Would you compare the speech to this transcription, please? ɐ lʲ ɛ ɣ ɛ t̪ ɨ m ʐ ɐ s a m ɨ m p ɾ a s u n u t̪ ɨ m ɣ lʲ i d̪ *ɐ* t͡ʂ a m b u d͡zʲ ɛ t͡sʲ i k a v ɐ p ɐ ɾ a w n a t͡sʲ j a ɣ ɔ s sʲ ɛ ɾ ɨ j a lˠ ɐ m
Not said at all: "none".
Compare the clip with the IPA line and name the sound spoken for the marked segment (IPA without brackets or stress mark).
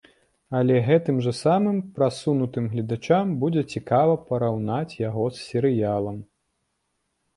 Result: a